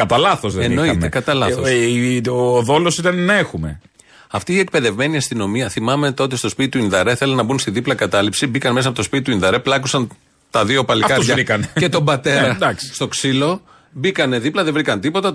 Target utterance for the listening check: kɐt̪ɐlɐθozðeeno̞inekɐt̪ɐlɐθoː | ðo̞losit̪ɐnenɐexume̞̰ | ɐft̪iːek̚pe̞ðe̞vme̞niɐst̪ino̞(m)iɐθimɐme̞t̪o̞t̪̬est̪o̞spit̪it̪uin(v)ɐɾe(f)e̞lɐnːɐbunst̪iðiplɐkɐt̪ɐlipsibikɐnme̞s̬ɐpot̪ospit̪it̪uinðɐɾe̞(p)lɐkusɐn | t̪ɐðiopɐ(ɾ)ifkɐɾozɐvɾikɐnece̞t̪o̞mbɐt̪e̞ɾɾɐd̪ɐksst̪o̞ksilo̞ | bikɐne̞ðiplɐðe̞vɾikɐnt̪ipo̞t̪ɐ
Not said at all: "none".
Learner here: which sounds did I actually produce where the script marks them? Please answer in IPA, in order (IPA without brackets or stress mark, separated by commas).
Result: m, ð, θ, p, l